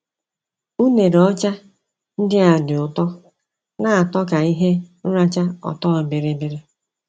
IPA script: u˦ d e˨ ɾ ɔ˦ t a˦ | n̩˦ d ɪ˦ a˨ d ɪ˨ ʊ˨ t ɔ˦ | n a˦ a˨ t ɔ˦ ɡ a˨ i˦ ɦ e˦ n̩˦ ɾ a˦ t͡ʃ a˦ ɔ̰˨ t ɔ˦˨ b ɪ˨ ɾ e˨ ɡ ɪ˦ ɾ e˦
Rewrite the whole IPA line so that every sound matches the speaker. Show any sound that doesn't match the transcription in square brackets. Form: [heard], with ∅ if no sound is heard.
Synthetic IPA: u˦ [n] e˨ ɾ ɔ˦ [t͡ʃ] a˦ | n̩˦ d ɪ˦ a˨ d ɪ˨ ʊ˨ t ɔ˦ | n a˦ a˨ t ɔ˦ [k] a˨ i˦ ɦ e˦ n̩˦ ɾ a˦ t͡ʃ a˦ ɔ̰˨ t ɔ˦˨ b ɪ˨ ɾ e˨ [b] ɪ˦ ɾ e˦